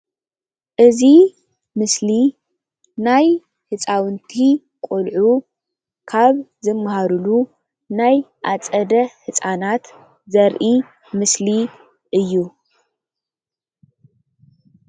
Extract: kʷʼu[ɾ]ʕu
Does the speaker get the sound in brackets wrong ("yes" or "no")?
yes